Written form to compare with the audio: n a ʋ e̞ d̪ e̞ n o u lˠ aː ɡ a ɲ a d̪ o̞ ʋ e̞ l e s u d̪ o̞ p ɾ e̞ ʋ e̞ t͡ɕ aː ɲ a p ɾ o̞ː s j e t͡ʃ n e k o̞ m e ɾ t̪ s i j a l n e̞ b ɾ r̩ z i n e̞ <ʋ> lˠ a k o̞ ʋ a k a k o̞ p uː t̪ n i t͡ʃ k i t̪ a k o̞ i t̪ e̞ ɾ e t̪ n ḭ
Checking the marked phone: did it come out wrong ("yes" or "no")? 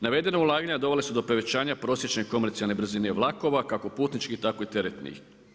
no